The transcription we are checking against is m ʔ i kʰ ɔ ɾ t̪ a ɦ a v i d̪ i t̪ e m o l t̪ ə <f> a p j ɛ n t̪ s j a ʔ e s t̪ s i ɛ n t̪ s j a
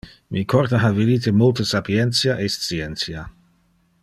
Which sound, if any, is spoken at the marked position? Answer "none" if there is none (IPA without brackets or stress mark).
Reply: s